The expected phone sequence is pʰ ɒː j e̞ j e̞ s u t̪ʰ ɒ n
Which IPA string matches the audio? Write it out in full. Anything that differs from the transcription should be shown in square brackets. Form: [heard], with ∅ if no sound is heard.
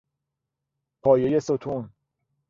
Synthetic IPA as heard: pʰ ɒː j e̞ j e̞ s [o] t̪ʰ [u] n